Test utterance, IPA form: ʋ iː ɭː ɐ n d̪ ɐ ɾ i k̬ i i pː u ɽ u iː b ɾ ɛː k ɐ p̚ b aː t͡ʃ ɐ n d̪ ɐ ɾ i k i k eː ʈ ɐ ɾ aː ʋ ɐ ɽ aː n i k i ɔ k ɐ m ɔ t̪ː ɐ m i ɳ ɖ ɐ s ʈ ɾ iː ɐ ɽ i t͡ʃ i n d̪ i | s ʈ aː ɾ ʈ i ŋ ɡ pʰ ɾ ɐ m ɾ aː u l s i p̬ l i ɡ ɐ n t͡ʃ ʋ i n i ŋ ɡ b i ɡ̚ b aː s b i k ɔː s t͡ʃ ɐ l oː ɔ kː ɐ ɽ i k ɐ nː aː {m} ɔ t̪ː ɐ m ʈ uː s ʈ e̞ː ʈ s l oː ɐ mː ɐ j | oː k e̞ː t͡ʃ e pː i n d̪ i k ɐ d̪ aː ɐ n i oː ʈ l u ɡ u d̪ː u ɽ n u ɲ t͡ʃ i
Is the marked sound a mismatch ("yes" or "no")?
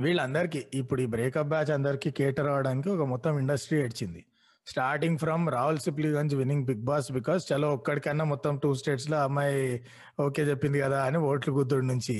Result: no